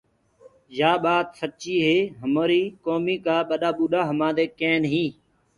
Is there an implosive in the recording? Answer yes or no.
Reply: yes